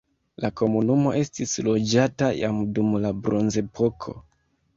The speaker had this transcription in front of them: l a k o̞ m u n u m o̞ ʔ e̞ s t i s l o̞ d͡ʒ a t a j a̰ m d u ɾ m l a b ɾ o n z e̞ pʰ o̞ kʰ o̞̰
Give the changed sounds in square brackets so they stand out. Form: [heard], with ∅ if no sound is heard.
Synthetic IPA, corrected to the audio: l a k o̞ m u n u m o̞ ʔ e̞ s t i s l o̞ d͡ʒ a t a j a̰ m d u [∅] m l a b ɾ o n z e̞ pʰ o̞ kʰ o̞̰